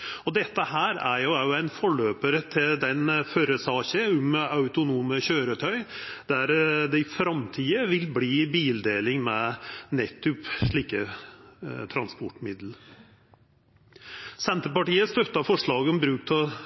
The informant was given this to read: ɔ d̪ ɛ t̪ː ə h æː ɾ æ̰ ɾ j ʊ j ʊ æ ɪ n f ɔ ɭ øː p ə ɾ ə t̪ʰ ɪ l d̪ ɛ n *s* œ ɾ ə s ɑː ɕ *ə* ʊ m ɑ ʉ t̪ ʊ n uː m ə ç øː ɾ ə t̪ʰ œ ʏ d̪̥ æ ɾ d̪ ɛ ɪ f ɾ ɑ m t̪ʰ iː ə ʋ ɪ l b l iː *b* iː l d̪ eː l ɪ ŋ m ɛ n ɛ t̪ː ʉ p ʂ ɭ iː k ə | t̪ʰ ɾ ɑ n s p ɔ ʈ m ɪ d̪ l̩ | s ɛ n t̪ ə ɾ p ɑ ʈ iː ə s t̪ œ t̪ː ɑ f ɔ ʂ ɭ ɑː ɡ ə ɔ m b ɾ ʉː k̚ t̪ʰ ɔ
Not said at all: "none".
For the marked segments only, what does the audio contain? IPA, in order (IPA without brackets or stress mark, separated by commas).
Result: f, ə, b